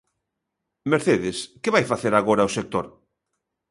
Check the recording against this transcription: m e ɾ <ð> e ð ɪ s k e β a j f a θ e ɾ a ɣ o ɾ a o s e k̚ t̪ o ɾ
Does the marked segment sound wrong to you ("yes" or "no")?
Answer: yes